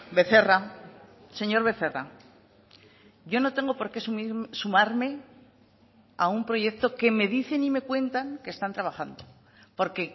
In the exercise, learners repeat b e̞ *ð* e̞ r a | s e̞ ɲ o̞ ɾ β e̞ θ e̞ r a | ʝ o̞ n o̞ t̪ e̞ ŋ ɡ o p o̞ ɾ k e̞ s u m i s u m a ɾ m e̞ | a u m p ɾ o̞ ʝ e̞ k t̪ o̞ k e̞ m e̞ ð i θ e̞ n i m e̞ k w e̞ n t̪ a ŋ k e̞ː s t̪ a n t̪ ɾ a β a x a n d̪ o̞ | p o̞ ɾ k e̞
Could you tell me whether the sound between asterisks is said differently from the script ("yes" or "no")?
yes